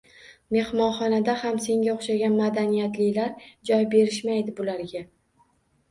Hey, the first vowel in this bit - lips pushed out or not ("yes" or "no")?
no